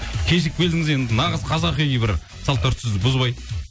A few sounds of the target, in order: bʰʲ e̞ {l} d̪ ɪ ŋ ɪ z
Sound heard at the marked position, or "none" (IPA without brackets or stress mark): l